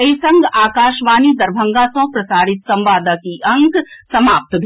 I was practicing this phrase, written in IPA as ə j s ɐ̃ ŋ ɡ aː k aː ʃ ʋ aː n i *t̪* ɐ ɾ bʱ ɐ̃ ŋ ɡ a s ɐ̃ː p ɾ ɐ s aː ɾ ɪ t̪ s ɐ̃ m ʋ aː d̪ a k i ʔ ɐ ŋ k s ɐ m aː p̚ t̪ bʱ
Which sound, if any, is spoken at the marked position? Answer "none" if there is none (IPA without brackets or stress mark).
d̪